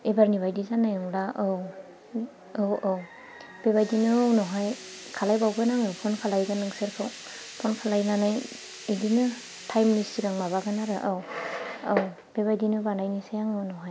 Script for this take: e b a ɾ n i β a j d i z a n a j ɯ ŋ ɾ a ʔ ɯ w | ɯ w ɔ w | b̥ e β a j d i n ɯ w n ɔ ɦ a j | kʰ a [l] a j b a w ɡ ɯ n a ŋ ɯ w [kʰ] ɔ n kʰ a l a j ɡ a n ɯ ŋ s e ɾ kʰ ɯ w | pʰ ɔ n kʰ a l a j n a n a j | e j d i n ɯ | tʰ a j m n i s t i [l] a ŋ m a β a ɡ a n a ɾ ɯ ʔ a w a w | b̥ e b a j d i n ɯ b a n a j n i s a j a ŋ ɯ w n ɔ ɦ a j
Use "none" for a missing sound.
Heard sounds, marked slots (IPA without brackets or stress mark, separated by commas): l, pʰ, ɾ